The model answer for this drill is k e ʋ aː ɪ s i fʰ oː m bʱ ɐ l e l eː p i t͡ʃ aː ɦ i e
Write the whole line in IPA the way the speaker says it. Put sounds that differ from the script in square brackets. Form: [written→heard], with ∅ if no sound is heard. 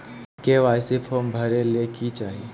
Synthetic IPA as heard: k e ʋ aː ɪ s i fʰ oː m bʱ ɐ [l→ɾ] e l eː [p→k] i t͡ʃ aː ɦ i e